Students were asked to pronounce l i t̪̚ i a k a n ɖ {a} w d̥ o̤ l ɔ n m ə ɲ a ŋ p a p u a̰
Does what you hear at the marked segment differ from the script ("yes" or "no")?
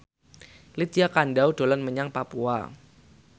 no